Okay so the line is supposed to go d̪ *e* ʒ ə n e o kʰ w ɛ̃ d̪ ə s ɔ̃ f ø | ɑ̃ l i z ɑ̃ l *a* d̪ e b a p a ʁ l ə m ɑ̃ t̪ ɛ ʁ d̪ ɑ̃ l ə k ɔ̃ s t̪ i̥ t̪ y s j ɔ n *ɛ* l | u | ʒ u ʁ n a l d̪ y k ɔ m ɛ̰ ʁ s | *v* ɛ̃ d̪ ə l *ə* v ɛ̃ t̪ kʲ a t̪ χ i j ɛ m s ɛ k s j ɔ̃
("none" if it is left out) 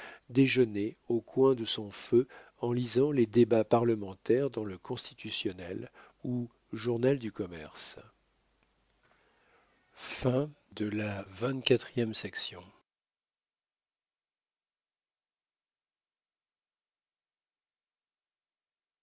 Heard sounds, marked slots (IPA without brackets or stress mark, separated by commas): e, e, ɛ, f, a